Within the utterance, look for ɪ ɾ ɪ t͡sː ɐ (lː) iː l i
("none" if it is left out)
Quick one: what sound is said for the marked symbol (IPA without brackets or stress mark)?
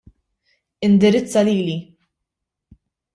l